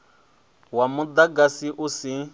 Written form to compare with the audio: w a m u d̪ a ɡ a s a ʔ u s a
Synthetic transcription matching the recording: w a m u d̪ a ɡ a s i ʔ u s i